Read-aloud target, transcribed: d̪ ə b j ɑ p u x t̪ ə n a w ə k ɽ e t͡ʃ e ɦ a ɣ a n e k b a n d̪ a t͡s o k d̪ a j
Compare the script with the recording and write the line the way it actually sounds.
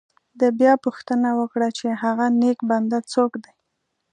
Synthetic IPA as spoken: d̪ ə b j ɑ p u x t̪ ə n a w ə k ɽ a t͡ʃ e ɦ a ɣ a n e k b a n d̪ a t͡s o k d̪ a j